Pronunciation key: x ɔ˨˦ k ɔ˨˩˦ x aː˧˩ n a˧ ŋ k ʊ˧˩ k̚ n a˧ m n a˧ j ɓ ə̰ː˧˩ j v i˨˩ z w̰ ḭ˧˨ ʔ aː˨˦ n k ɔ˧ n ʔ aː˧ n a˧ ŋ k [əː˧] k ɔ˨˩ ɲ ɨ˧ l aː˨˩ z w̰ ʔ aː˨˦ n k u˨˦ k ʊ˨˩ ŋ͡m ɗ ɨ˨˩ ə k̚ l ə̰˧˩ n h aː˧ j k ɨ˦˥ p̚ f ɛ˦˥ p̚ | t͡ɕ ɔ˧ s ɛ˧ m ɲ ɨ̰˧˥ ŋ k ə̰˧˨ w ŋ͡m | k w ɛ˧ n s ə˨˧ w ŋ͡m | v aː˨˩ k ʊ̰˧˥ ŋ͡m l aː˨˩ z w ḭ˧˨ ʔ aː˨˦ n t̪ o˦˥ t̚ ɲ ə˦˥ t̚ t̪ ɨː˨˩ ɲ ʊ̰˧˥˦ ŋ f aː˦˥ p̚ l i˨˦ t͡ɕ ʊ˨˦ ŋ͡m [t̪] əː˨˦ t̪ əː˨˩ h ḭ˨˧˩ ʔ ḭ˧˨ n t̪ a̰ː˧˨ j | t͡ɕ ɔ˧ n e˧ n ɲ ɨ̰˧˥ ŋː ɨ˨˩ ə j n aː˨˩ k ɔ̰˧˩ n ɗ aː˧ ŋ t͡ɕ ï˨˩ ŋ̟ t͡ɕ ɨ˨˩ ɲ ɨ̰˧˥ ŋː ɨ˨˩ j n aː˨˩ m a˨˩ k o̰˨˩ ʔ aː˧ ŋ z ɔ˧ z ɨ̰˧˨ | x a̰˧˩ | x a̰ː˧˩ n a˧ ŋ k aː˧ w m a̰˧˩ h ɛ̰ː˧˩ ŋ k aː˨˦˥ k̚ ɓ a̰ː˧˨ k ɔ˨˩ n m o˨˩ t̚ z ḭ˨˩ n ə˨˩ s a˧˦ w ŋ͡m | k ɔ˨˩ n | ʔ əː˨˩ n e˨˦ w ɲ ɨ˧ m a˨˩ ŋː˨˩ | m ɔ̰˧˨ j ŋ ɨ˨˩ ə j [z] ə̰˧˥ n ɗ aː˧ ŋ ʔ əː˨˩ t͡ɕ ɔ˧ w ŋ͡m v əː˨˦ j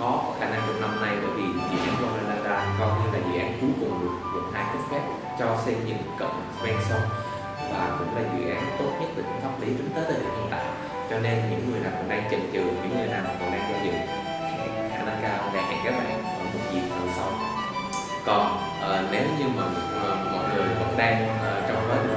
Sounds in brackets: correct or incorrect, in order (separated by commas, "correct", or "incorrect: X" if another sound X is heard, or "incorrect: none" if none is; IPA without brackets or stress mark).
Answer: incorrect: aː˧, correct, incorrect: v